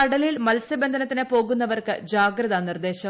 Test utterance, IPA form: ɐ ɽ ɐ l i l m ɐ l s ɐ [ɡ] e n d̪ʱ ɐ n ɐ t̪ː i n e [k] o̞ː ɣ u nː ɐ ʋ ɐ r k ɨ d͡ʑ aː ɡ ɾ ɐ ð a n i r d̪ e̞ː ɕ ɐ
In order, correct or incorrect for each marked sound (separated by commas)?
incorrect, incorrect